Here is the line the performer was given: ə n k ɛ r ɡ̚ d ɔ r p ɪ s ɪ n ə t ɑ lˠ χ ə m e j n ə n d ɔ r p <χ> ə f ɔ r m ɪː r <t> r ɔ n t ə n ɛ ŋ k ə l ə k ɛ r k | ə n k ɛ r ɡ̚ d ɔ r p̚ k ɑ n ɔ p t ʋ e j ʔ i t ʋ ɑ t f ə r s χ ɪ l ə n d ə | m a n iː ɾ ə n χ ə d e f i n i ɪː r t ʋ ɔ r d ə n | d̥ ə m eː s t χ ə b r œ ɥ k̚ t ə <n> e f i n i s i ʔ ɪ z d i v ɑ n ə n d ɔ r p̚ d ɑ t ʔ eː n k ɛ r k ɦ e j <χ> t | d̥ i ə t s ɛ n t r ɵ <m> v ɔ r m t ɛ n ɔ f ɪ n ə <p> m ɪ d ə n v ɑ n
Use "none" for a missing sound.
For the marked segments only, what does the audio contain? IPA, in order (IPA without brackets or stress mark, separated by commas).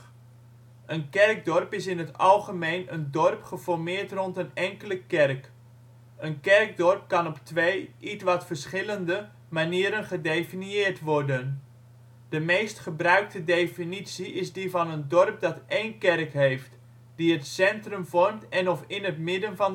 χ, t, d, f, m, t